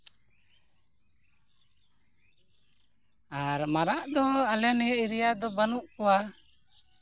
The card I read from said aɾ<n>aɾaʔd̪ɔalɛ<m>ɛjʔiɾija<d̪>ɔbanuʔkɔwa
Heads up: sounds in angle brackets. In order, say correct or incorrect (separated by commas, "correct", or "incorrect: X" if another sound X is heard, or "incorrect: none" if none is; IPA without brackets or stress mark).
incorrect: m, incorrect: n, correct